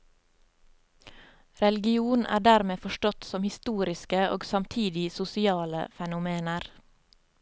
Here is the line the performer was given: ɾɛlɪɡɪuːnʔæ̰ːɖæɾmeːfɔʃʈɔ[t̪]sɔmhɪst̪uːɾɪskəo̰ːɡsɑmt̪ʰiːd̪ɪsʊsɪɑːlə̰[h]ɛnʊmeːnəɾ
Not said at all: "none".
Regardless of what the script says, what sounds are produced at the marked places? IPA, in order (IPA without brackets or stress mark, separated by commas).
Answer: t̪, f